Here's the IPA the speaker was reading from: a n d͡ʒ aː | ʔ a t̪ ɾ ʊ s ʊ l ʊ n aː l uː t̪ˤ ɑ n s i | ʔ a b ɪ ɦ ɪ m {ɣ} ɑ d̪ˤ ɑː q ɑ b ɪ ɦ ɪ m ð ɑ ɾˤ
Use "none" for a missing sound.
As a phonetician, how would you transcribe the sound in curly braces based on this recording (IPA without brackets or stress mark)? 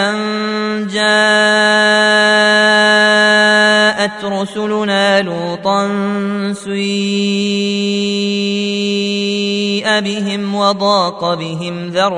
w